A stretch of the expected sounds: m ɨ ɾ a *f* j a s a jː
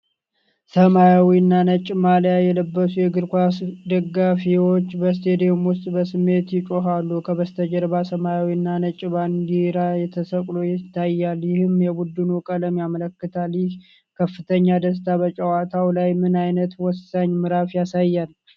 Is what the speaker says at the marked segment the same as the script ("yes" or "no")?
yes